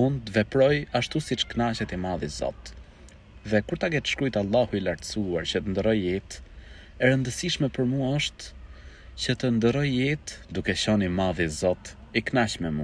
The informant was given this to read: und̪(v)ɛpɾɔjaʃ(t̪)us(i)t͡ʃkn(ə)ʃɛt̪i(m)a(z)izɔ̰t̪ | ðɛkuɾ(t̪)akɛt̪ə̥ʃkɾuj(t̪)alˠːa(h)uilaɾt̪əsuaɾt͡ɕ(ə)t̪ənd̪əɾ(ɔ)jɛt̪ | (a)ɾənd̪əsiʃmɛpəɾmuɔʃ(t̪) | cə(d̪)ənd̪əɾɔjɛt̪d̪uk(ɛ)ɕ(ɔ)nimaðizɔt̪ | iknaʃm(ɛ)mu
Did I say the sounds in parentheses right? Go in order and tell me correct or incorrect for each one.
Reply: correct, correct, correct, incorrect, correct, incorrect, correct, correct, correct, correct, correct, incorrect, correct, incorrect, correct, correct, correct

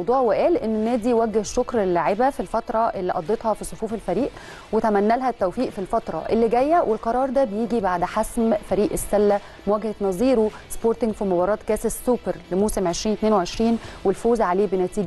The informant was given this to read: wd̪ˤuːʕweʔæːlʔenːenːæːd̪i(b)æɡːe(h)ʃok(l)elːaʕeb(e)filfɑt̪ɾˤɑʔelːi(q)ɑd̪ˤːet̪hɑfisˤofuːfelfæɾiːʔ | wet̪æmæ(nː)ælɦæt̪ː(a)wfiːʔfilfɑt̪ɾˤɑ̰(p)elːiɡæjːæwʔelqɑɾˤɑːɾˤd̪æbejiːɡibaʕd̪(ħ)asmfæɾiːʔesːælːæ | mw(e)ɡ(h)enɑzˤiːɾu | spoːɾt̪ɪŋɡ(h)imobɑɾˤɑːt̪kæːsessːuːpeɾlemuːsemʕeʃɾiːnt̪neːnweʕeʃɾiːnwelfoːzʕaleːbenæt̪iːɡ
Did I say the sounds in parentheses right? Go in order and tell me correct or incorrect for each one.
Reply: incorrect, correct, incorrect, incorrect, incorrect, correct, incorrect, incorrect, correct, incorrect, correct, incorrect

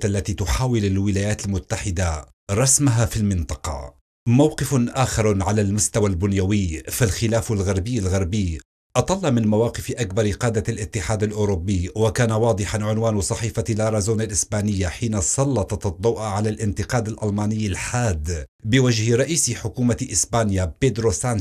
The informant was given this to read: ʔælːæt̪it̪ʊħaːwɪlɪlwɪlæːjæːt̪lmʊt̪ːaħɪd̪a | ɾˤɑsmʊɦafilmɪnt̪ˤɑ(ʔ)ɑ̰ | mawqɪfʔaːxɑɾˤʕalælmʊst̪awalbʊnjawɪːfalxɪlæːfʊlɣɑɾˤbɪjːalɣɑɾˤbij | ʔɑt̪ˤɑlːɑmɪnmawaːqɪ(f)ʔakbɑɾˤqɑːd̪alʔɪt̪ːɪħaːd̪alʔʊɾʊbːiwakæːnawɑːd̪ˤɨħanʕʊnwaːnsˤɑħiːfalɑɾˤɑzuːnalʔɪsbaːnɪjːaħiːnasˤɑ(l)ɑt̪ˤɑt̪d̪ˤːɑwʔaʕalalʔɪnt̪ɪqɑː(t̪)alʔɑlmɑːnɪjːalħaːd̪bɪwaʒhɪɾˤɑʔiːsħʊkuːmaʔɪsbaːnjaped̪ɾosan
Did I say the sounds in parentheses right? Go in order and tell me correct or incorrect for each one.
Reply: incorrect, correct, incorrect, incorrect

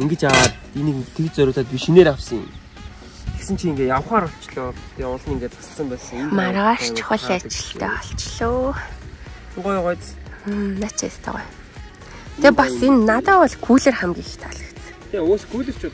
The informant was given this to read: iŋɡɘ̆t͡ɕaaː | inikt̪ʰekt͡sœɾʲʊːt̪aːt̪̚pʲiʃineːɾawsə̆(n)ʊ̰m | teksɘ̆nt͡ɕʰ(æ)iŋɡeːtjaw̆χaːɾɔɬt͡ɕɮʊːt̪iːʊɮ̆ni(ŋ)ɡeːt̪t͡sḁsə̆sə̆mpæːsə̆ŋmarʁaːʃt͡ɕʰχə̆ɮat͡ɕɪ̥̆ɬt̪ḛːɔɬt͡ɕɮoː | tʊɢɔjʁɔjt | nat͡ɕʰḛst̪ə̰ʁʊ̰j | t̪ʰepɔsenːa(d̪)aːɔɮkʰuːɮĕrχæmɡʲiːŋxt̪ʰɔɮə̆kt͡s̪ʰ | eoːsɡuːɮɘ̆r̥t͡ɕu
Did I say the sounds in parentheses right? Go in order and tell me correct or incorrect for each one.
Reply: incorrect, incorrect, correct, incorrect

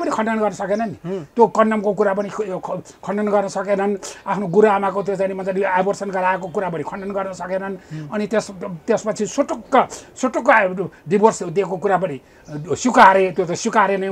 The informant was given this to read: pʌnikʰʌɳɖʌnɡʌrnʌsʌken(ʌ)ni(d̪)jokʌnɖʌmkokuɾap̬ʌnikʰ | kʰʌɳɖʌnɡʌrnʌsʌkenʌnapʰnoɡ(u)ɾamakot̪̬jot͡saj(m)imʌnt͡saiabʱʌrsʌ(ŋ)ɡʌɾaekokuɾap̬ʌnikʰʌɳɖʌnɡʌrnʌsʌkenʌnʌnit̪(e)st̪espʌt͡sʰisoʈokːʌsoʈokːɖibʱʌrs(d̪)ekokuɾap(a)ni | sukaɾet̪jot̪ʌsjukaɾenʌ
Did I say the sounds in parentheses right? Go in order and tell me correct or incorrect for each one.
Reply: correct, incorrect, correct, incorrect, incorrect, correct, correct, incorrect

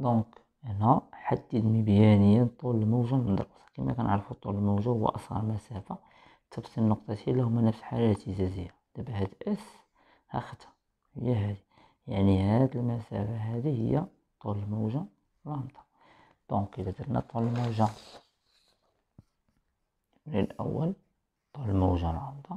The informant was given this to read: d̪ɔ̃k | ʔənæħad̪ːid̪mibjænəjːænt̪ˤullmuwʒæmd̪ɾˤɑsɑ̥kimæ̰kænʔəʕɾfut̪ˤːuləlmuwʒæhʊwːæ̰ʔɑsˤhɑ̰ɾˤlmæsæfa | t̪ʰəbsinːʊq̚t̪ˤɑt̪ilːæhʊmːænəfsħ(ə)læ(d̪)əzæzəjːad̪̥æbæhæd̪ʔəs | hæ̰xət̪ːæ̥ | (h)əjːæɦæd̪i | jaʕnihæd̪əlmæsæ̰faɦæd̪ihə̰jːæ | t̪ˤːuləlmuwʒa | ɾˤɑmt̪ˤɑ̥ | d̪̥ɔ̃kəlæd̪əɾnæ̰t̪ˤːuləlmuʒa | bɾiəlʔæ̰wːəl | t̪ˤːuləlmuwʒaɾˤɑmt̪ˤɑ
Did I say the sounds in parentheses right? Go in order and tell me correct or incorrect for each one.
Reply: incorrect, incorrect, correct

